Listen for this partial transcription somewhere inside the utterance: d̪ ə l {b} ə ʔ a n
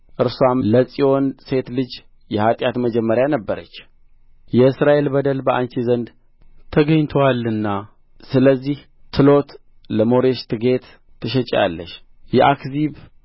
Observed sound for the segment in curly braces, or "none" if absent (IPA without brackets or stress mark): b